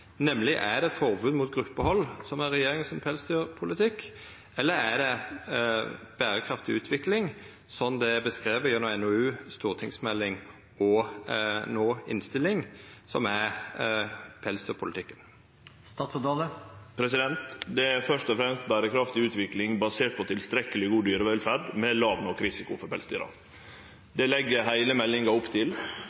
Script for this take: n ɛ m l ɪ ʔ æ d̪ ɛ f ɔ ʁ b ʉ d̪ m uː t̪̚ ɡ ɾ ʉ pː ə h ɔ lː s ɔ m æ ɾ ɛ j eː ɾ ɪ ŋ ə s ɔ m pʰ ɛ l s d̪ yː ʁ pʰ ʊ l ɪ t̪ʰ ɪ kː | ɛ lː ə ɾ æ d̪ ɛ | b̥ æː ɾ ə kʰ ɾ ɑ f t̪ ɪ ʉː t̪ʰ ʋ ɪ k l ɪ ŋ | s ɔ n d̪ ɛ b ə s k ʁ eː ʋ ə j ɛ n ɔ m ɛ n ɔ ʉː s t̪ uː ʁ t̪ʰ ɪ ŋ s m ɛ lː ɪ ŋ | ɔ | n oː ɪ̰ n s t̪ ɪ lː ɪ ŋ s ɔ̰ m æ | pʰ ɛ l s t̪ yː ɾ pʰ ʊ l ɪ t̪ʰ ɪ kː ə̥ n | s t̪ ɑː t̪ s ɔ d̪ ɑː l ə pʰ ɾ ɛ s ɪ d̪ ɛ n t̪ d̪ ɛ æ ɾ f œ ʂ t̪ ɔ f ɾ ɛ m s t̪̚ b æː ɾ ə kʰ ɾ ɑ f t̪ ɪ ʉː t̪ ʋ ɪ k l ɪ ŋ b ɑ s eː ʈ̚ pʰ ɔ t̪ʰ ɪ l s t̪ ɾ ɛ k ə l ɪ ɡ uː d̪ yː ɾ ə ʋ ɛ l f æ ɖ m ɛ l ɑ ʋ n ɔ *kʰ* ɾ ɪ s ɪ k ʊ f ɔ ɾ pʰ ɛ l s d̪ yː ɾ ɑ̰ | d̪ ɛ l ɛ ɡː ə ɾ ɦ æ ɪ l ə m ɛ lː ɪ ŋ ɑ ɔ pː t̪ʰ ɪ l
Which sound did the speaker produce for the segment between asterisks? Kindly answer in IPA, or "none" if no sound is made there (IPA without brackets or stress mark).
k